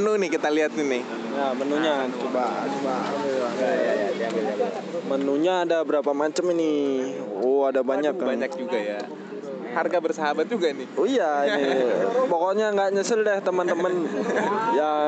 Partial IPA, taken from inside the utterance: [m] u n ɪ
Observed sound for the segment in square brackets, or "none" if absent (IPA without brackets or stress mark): n